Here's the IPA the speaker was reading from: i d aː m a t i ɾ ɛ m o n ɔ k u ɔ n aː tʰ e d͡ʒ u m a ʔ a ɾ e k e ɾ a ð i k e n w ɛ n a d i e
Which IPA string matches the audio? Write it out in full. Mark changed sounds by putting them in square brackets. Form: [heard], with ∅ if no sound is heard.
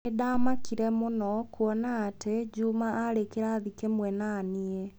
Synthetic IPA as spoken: [e] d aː m a [k] i ɾ ɛ m o n ɔ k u ɔ n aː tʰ e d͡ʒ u m a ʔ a ɾ e k e ɾ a ð i k e [m] w ɛ n a [n] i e